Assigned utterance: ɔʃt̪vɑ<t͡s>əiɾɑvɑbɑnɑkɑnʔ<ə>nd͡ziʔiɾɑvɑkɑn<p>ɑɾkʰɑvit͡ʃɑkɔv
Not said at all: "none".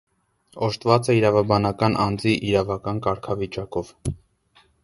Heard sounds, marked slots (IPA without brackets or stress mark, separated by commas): t͡s, ɑ, k